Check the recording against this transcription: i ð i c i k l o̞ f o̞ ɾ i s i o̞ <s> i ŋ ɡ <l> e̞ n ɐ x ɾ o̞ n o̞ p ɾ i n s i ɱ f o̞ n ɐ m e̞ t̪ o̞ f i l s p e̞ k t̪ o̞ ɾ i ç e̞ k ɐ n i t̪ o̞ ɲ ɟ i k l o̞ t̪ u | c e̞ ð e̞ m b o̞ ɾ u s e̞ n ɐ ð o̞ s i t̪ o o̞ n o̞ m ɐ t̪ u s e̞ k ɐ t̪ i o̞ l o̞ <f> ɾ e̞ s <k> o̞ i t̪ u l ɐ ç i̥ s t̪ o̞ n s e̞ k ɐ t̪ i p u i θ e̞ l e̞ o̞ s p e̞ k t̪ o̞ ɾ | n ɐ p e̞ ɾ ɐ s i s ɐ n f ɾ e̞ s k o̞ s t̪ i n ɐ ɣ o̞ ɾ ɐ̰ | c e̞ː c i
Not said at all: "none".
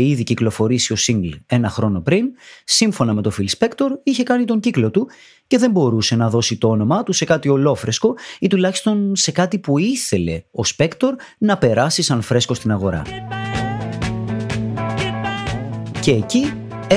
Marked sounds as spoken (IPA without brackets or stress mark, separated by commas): s, l, f, k